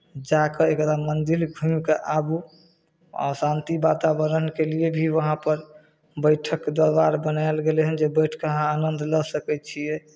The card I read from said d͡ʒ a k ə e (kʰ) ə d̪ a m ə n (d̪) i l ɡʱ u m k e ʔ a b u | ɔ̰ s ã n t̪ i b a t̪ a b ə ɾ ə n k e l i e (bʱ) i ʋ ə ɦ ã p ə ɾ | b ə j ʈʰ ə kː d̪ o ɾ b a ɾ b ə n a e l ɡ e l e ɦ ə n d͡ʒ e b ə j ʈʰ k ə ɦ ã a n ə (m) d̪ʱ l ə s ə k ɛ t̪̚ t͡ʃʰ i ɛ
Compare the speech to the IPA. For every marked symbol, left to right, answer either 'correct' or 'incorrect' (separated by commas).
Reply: incorrect, correct, correct, incorrect